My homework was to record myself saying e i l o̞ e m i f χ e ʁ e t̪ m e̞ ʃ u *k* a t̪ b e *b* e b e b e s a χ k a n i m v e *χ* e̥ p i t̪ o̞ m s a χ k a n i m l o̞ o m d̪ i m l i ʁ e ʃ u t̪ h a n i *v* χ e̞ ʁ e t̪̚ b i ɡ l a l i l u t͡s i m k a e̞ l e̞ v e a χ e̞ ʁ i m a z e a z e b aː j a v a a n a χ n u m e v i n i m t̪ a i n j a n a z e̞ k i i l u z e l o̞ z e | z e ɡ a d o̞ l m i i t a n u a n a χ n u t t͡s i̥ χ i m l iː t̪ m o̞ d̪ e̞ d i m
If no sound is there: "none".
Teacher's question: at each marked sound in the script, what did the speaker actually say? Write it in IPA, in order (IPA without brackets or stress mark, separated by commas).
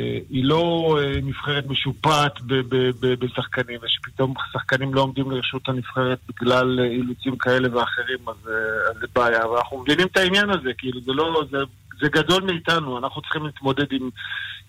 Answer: p, b, ʃ, f